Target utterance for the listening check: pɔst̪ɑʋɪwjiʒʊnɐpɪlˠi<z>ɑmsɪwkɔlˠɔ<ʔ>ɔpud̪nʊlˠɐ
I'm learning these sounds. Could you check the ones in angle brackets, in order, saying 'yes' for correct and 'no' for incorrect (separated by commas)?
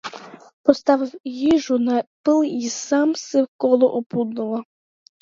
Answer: no, yes